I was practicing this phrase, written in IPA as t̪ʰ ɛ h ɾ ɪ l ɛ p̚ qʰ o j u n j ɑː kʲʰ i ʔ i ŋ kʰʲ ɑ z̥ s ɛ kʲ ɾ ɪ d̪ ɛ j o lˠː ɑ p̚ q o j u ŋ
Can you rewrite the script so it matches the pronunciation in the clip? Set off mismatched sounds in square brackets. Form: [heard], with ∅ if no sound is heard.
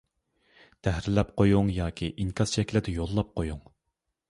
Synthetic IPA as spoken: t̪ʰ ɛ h ɾ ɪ l ɛ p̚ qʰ o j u [ŋ] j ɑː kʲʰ i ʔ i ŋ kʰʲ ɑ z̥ [ʃ] ɛ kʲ [l] ɪ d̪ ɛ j o lˠː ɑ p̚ q o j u ŋ